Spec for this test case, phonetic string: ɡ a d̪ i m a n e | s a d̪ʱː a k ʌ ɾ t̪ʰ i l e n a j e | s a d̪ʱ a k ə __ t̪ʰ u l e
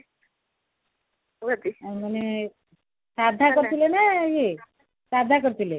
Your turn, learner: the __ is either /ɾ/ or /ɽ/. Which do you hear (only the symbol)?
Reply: ɾ